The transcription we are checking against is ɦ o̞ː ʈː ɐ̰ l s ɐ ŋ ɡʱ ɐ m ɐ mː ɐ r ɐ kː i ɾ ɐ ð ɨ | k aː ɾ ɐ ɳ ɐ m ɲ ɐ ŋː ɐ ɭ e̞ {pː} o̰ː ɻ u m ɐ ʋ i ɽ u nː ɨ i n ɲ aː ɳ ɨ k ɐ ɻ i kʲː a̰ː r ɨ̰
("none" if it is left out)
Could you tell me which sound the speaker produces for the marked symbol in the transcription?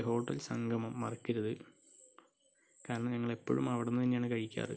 pː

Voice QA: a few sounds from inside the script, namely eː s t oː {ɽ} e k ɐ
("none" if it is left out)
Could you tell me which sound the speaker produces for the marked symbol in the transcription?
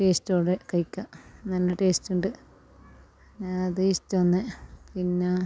ɽ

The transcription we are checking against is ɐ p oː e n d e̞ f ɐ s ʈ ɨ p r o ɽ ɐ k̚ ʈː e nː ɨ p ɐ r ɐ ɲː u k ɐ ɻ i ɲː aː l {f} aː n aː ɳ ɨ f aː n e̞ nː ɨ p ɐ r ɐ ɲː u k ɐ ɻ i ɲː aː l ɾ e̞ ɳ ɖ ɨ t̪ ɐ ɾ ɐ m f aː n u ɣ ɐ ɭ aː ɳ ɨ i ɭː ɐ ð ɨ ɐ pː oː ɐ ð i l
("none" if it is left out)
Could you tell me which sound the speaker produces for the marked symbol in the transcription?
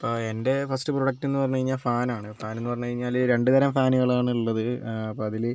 f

